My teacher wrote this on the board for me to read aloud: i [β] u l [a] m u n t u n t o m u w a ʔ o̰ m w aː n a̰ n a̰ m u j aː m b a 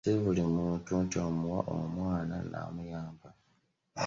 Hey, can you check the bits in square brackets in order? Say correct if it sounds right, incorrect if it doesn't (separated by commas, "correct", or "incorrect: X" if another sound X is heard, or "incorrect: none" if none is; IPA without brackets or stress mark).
correct, incorrect: i